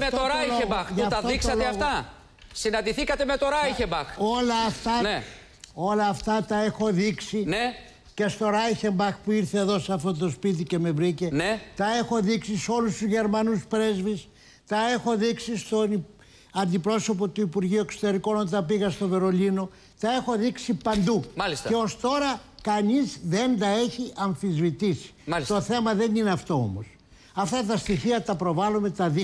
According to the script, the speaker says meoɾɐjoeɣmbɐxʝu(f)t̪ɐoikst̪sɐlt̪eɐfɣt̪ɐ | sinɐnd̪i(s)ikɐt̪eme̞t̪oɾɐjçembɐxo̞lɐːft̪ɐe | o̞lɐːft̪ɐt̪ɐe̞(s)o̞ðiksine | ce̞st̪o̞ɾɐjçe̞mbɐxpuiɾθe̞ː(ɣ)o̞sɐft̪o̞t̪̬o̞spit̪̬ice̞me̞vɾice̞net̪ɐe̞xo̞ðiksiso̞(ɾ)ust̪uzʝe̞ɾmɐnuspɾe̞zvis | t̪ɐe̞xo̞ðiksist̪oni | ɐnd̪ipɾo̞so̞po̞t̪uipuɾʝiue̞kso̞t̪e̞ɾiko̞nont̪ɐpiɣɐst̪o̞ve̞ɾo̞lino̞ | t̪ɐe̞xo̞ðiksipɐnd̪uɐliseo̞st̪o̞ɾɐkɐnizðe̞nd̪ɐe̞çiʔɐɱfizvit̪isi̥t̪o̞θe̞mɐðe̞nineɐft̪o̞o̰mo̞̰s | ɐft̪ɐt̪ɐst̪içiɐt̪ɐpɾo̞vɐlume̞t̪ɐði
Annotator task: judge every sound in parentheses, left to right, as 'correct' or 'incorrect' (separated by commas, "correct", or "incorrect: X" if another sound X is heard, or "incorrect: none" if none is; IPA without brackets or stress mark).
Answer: correct, incorrect: θ, incorrect: x, incorrect: ð, incorrect: l